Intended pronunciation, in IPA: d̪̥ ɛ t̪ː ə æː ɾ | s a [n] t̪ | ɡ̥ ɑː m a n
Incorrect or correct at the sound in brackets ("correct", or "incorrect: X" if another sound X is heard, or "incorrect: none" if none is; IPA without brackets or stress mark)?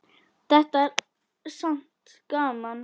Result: correct